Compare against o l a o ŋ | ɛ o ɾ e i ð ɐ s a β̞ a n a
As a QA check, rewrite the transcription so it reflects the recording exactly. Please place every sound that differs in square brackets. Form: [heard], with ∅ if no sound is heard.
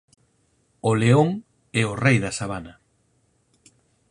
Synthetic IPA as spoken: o l [e] o ŋ | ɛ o [r] e [j] ð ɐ s a β̞ a n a